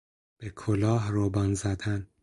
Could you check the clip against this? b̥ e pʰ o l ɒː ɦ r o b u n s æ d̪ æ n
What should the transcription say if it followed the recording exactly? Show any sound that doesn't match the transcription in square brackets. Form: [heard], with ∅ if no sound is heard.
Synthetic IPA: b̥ e [kʰ] o l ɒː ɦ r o b [ɒ] n [z] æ d̪ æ n